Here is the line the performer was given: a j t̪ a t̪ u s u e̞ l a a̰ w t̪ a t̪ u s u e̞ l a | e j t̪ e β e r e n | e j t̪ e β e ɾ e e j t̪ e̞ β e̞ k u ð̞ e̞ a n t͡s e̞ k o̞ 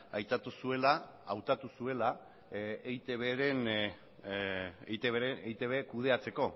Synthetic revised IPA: a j t̪ a t̪ u s u e̞ l a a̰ w t̪ a t̪ u s u e̞ l a | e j t̪ e β e ɾ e n | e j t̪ e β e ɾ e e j t̪ e̞ β e̞ k u ð̞ e̞ a t͡s e̞ k o̞